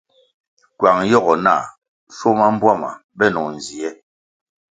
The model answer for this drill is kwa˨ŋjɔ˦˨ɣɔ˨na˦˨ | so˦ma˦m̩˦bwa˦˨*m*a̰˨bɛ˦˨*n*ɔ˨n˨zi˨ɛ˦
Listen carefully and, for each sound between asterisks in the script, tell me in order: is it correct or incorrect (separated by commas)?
correct, correct